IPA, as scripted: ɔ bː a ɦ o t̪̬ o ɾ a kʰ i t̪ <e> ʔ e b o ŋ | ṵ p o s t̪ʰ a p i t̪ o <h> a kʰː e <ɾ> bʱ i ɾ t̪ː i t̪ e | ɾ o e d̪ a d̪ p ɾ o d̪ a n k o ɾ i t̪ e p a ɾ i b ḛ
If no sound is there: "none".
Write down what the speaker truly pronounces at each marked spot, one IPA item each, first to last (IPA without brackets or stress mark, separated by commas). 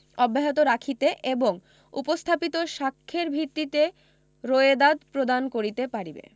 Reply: e, ʃ, ɾ